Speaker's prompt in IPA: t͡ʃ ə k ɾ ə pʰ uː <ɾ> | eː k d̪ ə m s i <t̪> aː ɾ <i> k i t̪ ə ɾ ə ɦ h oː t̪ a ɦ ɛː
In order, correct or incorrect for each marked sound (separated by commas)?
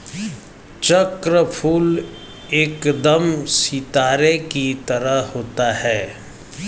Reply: incorrect, correct, incorrect